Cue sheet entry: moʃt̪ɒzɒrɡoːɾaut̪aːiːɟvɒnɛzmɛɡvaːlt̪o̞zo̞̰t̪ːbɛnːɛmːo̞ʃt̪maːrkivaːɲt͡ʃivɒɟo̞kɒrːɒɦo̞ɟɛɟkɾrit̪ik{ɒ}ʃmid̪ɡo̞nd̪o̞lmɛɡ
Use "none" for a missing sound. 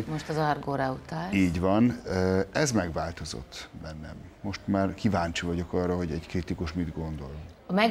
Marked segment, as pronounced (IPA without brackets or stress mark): u